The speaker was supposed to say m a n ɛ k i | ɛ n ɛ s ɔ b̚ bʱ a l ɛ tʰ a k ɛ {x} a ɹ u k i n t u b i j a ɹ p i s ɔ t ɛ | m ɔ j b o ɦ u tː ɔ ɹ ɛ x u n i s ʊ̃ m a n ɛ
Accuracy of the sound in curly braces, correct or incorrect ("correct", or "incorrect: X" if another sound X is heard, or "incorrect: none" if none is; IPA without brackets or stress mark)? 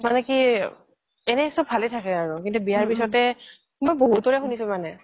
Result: incorrect: none